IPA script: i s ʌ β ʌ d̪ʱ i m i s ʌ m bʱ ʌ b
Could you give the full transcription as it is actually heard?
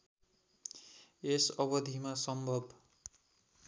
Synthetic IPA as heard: e s ʌ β ʌ d̪ʱ i m a s ʌ m bʱ ʌ b